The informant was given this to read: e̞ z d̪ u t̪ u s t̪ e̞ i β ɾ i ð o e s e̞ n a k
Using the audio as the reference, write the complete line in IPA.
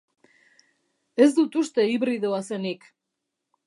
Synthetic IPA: e̞ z d̪ u t̪ u s t̪ e̞ i β ɾ i ð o a s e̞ n i k